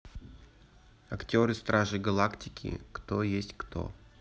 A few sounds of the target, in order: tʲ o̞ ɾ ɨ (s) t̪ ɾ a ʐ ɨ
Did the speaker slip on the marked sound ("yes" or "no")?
no